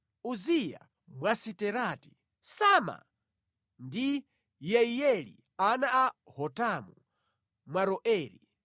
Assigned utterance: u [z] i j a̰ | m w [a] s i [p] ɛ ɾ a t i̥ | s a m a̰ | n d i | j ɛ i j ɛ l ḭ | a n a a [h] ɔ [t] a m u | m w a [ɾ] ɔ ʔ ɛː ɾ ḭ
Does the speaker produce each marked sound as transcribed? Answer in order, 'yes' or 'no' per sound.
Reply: yes, yes, no, yes, yes, yes

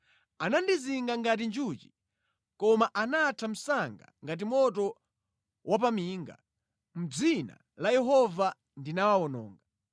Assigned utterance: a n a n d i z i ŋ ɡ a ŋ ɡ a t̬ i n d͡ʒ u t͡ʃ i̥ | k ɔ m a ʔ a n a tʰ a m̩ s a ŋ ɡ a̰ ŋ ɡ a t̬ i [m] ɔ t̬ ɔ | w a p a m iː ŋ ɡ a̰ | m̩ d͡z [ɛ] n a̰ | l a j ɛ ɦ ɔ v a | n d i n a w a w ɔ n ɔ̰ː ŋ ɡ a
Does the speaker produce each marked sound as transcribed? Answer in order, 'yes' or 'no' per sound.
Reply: yes, no

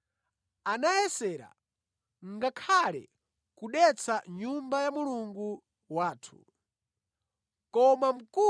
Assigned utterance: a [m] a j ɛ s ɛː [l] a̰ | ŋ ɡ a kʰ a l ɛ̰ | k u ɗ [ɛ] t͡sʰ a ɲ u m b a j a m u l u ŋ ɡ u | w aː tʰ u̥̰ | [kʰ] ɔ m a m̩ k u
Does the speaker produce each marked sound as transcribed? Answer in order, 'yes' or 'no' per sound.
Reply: no, no, yes, no

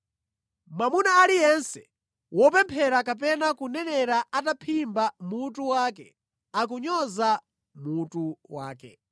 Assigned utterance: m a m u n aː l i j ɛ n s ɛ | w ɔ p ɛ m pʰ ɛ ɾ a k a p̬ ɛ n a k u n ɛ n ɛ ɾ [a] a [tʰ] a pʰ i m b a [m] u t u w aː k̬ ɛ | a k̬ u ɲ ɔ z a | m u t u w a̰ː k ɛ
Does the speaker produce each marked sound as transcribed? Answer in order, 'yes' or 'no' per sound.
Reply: yes, no, yes

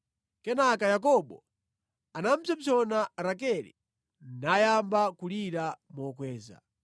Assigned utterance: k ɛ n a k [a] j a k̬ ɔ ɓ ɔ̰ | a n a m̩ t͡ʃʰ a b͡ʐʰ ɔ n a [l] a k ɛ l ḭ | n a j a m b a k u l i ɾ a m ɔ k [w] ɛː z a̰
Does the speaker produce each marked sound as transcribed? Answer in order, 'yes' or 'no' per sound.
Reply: yes, no, yes

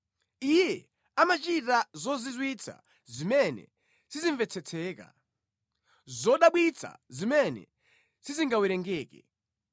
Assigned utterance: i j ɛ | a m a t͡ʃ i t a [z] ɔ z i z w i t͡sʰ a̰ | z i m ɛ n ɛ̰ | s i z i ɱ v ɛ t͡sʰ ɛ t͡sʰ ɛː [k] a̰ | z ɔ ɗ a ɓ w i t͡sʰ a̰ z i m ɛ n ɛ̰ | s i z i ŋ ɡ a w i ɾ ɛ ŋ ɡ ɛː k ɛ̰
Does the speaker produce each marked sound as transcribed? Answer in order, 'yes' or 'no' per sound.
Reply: yes, yes

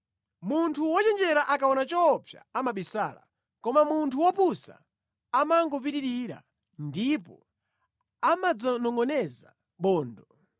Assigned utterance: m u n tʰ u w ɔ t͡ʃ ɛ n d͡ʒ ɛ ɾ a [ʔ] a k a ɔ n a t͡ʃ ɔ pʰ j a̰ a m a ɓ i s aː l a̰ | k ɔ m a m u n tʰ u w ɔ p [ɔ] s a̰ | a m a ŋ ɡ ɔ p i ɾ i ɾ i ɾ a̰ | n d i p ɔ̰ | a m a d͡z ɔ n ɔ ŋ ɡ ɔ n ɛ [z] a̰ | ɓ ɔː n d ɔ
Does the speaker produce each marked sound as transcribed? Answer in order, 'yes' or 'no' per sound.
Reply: yes, no, yes

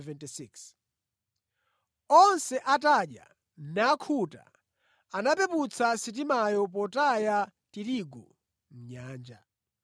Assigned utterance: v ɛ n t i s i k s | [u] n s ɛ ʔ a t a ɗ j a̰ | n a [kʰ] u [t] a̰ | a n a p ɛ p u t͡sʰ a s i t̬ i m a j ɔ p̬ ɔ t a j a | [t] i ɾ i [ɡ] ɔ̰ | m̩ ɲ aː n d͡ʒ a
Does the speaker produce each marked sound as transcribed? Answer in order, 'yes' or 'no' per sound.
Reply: no, yes, yes, yes, yes

